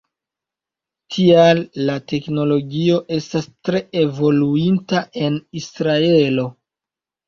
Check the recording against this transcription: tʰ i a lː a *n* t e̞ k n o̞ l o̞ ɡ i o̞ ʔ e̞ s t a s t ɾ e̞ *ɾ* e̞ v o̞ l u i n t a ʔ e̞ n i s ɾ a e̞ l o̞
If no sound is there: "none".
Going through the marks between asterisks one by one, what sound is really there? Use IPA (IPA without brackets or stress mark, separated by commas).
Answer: none, none